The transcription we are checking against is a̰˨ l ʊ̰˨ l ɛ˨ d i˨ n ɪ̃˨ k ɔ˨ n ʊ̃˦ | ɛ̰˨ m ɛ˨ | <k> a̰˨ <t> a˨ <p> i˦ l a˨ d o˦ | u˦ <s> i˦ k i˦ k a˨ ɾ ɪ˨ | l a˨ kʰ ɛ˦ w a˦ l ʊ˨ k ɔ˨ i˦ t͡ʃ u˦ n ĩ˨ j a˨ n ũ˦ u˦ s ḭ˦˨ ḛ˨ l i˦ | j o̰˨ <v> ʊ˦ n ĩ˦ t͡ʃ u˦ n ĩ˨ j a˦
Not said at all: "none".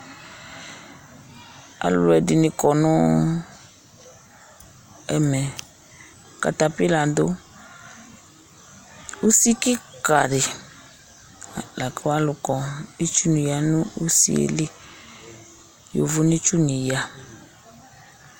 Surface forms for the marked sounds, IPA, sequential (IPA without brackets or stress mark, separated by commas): k, t, p, s, v